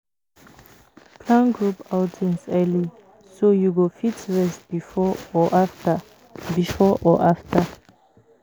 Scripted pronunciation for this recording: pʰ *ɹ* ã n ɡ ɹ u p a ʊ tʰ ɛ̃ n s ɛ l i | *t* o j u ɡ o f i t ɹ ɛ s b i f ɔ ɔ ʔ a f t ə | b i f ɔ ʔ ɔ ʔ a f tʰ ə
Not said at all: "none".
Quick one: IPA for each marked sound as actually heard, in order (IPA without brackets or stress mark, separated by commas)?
l, s